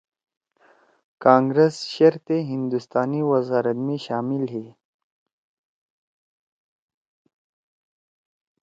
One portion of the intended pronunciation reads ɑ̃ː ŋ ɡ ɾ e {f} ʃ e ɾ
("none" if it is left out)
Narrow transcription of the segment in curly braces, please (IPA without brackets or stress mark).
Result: s